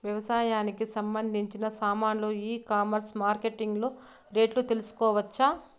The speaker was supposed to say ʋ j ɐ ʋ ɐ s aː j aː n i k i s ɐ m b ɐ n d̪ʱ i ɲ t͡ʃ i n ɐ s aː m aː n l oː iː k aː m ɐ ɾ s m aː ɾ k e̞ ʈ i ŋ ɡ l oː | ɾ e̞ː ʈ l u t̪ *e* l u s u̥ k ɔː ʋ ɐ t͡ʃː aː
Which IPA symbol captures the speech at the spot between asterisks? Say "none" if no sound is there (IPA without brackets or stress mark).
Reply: e